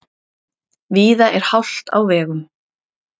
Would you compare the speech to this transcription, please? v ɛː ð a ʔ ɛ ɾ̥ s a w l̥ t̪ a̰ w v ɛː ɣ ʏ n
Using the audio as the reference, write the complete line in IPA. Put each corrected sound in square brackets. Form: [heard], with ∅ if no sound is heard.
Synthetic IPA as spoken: v [iː] ð a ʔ ɛ ɾ̥ [h] a w l̥ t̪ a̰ w v ɛː ɣ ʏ [m]